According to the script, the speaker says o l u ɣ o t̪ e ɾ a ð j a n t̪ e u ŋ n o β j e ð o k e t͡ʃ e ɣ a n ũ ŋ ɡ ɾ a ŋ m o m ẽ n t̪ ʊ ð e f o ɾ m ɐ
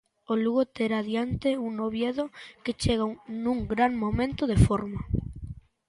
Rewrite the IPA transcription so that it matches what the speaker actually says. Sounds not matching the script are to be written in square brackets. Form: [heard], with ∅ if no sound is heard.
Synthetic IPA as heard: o l u ɣ o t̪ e ɾ a ð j a n t̪ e u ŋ n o β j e ð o k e t͡ʃ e ɣ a n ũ ŋ ɡ ɾ a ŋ m o m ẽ n t̪ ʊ ð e f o ɾ m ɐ